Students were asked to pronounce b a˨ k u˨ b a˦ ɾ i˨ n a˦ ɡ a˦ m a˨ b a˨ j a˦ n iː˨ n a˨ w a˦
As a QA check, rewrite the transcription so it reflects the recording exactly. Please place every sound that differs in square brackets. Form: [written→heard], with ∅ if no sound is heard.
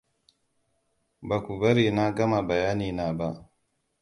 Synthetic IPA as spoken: b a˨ k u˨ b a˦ ɾ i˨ n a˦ ɡ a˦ m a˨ b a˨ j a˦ n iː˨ n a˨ [w→b] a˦